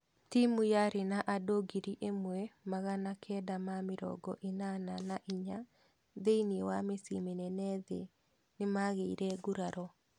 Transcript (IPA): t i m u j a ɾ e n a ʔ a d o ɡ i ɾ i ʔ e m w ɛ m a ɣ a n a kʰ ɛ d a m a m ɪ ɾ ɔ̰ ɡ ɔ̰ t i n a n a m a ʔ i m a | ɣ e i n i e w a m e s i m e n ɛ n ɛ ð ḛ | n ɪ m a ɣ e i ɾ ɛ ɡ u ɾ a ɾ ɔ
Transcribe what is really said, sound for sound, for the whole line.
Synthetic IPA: t i m u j a ɾ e n a ʔ a d o ɡ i ɾ i ʔ e m w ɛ m a ɣ a n a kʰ ɛ d a m a m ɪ ɾ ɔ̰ ɡ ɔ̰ ʔ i n a n a n a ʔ i ɲ a | ð e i n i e w a m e s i m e n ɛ n ɛ ð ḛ | n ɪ m a ɣ e i ɾ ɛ ɡ u ɾ a ɾ ɔ